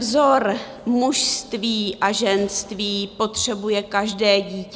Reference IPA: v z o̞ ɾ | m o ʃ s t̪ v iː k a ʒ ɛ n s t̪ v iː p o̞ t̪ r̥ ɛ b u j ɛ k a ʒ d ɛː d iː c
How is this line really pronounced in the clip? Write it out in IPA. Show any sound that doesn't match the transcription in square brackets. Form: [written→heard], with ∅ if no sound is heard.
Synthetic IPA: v z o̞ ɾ | m [o→u] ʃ s t̪ v iː [k→ʔ] a ʒ ɛ n s t̪ v iː p o̞ t̪ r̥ ɛ b u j ɛ k a ʒ d ɛː [d→ɟ] iː c